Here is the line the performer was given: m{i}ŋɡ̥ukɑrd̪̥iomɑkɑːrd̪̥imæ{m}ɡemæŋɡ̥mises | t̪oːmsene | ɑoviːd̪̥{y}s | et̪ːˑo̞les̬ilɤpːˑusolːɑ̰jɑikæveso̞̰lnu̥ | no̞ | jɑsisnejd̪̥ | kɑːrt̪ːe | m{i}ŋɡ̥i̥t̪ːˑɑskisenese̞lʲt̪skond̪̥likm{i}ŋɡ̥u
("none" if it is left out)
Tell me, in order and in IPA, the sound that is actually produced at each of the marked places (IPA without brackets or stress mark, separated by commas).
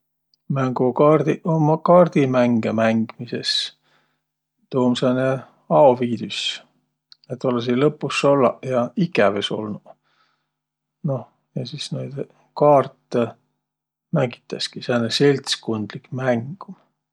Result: æ, ŋ, y, æ, æ